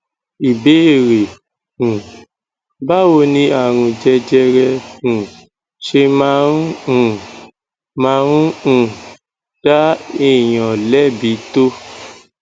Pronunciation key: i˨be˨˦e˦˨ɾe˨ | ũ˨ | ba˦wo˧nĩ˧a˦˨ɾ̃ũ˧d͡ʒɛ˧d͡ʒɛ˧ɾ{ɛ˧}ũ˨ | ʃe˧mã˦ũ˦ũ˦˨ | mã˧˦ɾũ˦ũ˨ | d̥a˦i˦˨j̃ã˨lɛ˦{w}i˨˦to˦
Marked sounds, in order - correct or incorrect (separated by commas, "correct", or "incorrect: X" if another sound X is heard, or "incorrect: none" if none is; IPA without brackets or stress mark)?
correct, incorrect: b